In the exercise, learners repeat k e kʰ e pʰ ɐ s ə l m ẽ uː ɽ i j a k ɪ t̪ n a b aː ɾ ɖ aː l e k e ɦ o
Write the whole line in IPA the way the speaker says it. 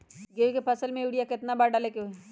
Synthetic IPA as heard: ɡ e k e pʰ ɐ s ə l m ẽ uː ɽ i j a k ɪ t̪ n a b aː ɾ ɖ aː l e k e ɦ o